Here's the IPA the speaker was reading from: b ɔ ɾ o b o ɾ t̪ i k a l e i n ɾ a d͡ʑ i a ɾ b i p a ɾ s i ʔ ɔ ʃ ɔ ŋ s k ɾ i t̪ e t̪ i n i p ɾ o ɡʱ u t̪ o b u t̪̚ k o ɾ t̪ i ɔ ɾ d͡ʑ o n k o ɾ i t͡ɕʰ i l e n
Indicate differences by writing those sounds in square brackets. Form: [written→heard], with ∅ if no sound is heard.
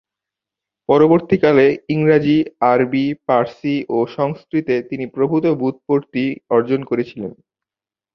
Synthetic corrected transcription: [b→p] ɔ ɾ o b o ɾ t̪ i k a l e i [n→ŋ] ɾ a d͡ʑ i a ɾ b i p a ɾ s i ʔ [ɔ→o] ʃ ɔ ŋ s k ɾ i t̪ e t̪ i n i p ɾ o [ɡʱ→bʱ] u t̪ o b u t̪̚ [k→p] o ɾ t̪ i ɔ ɾ d͡ʑ o n k o ɾ [i→e] t͡ɕʰ i l e n